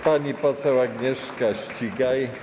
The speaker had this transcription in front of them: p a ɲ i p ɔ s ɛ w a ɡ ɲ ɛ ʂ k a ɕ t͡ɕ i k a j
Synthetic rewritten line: p a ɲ i p ɔ s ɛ w a ɡ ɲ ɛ ʂ k a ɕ t͡ɕ i ɡ a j